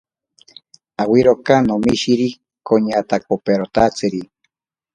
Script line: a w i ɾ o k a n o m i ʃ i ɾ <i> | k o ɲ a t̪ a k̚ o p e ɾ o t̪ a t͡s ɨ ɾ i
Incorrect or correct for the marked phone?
correct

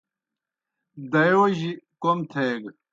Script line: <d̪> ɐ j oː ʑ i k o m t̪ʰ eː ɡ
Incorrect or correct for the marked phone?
correct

